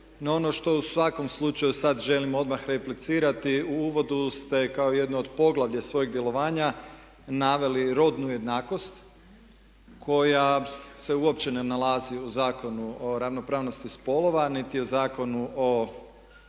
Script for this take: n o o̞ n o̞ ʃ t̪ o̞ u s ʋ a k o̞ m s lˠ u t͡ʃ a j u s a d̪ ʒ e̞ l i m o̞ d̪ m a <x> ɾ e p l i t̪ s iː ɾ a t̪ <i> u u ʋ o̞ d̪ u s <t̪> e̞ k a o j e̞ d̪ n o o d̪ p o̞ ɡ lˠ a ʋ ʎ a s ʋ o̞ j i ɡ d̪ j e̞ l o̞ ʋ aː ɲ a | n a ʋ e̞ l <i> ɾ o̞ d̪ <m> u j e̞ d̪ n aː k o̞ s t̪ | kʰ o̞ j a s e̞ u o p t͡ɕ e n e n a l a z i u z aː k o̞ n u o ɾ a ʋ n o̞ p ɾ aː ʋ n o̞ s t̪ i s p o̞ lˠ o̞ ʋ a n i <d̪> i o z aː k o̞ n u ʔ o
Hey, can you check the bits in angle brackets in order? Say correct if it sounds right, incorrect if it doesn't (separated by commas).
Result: correct, correct, correct, correct, incorrect, incorrect